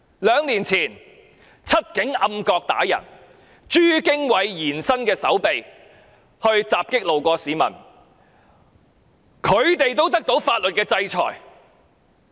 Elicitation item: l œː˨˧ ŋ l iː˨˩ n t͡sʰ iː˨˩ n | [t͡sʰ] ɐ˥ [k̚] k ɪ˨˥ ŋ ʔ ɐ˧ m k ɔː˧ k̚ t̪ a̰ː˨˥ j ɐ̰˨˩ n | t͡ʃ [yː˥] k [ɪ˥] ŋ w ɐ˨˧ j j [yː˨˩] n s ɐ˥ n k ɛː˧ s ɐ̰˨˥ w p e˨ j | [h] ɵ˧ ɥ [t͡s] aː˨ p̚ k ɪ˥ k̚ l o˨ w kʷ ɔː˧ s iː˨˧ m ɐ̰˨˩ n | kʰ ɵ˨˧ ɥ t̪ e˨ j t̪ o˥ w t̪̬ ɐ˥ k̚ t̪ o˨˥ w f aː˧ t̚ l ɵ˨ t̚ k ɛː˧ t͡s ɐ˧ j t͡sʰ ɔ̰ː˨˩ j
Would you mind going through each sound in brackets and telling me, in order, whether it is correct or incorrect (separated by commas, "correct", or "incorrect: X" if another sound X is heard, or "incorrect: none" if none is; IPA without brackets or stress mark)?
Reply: correct, incorrect: t̚, correct, correct, incorrect: iː˨˩, correct, correct